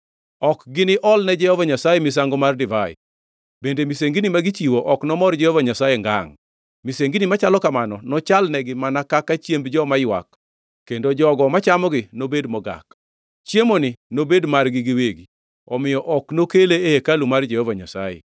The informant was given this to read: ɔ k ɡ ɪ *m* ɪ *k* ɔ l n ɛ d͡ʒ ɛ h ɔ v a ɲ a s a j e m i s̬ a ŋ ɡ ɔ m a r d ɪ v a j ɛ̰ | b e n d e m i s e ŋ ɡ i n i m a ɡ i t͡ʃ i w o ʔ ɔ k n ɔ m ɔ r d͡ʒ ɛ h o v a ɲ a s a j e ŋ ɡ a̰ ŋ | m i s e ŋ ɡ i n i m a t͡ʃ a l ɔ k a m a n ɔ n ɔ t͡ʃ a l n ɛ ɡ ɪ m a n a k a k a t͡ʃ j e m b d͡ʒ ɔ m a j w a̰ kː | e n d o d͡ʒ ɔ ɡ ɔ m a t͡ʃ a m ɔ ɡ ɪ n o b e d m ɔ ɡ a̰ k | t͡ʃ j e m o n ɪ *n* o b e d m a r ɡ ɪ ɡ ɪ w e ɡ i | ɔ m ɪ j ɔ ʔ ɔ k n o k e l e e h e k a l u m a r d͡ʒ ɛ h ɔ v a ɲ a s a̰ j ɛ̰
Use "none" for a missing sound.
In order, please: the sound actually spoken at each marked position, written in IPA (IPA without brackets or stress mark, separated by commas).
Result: n, ʔ, n